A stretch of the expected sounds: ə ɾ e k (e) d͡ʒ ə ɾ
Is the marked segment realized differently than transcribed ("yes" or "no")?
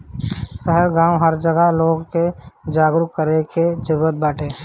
no